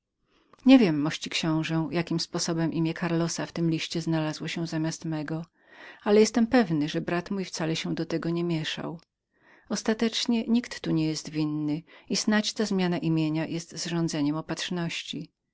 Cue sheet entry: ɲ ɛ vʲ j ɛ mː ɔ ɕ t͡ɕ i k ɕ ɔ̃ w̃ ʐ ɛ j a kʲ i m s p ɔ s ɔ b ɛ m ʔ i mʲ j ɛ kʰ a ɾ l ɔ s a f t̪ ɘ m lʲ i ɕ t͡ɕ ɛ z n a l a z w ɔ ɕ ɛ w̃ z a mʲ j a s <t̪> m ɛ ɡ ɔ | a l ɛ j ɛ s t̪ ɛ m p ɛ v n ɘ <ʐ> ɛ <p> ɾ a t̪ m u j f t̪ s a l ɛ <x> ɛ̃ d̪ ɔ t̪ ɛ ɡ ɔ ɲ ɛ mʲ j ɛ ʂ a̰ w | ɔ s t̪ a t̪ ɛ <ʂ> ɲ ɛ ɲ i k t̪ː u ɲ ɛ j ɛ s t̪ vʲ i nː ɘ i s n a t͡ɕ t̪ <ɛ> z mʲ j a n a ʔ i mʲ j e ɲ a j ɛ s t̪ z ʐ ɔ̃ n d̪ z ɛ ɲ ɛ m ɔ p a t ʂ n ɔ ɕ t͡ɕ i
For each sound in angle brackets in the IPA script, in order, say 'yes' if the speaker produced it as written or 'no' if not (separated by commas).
yes, yes, no, no, no, no